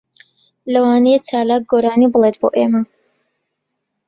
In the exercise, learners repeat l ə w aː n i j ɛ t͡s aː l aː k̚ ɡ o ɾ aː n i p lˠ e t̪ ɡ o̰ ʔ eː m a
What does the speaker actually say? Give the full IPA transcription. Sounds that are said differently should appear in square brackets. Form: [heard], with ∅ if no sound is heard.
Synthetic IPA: l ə w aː n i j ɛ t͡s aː l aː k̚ ɡ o ɾ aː n i [b] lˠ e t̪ [b] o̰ ʔ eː m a